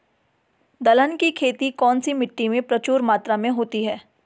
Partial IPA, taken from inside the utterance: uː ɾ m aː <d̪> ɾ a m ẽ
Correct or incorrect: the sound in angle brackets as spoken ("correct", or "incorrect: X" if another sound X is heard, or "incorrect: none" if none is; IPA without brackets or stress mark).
incorrect: t̪